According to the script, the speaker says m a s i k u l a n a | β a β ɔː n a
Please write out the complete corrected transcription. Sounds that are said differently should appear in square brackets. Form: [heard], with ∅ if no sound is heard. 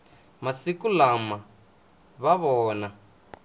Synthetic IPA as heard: m a s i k u l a [m] a | β a β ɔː n a